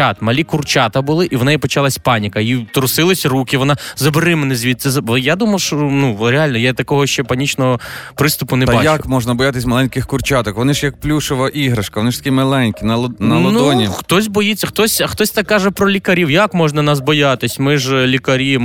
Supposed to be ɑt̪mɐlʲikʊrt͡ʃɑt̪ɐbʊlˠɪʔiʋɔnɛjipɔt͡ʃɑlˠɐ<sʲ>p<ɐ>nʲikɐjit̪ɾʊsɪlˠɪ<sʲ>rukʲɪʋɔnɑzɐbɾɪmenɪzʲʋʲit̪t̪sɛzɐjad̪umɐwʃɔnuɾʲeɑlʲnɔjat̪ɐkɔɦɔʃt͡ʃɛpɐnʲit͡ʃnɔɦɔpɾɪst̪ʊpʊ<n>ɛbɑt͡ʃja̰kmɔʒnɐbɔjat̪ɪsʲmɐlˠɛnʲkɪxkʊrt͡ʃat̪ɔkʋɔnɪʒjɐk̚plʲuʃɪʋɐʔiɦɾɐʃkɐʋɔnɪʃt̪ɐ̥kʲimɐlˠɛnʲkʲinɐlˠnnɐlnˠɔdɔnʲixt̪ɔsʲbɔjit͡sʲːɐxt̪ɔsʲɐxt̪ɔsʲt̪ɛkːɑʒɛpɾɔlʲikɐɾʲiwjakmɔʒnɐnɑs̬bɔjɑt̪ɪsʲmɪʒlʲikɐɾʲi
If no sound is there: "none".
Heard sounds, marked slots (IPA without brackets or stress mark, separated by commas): sʲ, ɑ, sʲ, n